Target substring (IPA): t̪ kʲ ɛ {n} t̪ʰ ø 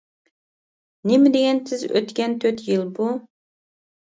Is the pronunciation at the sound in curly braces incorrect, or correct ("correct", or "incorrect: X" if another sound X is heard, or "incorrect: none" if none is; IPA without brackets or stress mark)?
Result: correct